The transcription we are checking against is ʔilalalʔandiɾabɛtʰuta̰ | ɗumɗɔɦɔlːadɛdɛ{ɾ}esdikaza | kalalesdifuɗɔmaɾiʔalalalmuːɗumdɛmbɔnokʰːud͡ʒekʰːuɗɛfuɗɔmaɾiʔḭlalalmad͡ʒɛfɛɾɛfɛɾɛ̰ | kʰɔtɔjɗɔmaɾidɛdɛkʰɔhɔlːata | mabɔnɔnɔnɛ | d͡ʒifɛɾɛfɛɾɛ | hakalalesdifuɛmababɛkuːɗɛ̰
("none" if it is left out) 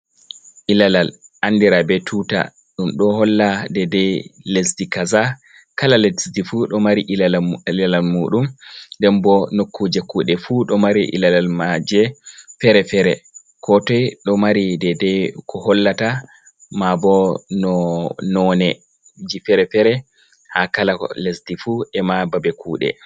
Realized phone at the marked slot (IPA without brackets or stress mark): l